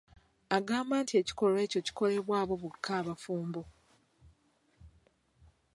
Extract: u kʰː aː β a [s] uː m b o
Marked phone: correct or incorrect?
incorrect